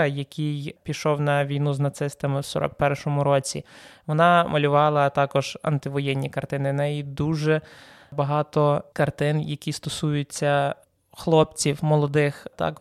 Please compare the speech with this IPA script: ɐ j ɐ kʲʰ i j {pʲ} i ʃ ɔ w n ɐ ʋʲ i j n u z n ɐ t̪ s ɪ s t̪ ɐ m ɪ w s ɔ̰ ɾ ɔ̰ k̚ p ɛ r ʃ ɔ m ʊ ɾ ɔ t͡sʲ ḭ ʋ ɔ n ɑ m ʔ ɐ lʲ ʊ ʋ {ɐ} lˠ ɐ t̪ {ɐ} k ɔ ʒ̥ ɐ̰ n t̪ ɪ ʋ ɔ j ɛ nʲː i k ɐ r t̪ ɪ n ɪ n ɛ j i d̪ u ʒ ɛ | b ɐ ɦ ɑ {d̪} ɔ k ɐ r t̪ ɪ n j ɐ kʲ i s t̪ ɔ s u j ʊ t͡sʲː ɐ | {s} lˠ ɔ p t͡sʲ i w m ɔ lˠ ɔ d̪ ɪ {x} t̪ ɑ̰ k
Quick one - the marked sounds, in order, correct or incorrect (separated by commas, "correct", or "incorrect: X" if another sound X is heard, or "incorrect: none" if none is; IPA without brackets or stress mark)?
correct, incorrect: ɑ, incorrect: ɑ, incorrect: t̪, incorrect: x, correct